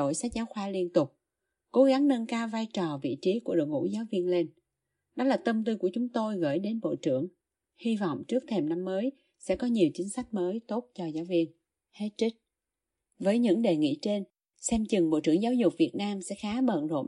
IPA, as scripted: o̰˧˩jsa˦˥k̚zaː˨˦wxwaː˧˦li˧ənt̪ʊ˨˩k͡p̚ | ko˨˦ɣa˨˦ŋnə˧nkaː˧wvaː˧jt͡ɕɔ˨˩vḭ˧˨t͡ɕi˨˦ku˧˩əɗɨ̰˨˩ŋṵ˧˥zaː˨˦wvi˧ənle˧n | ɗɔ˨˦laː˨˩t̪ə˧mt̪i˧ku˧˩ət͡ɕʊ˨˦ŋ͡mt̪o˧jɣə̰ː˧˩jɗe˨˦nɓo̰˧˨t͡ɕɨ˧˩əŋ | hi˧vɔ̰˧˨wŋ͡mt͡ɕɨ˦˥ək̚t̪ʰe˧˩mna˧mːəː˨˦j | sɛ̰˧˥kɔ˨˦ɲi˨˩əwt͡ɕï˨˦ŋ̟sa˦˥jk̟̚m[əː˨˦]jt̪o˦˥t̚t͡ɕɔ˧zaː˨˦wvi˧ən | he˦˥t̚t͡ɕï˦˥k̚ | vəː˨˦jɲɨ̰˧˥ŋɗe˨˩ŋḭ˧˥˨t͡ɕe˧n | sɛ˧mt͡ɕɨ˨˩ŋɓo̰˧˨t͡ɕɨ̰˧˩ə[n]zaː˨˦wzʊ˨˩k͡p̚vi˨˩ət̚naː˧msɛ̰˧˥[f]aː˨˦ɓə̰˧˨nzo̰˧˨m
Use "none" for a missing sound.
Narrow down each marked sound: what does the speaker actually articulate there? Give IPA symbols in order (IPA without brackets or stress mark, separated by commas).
əː˨˦, ŋ, x